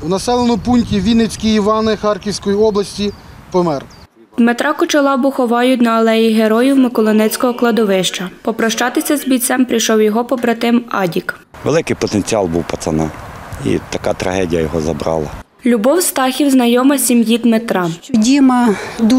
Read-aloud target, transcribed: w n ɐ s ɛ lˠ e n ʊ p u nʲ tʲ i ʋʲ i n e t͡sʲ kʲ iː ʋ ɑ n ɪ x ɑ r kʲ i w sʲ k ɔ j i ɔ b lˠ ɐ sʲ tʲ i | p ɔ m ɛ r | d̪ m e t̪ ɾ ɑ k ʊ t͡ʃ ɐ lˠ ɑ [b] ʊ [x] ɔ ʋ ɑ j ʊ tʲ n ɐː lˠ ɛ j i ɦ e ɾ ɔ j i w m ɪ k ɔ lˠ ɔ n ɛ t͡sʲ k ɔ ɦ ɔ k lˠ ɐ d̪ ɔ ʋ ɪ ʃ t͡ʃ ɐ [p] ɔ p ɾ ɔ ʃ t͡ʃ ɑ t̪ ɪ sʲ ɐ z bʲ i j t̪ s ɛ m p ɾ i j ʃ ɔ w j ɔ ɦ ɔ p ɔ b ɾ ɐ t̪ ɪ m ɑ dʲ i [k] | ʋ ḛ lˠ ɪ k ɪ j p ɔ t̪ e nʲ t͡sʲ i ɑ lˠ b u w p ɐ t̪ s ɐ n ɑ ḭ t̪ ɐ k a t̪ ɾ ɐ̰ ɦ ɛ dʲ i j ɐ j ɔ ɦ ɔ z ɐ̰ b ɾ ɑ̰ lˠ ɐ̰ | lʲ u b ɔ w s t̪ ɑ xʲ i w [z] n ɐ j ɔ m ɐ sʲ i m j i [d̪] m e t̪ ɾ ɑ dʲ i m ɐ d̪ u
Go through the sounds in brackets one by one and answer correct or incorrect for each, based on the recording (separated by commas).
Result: correct, correct, correct, correct, correct, correct